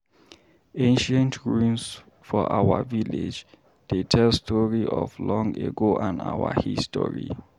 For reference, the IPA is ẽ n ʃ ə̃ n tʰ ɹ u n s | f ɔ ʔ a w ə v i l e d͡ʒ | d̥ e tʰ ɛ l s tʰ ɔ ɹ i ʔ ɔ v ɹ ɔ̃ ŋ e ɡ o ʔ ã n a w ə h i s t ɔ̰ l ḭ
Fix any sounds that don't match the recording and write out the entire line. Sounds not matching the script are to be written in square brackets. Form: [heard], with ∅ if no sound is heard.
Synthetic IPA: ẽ n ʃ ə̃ n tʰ ɹ u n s | f ɔ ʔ a w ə v i l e d͡ʒ | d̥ e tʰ ɛ l s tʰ ɔ ɹ i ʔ ɔ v [l] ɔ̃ ŋ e ɡ o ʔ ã n a w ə h i s t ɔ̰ [ɹ] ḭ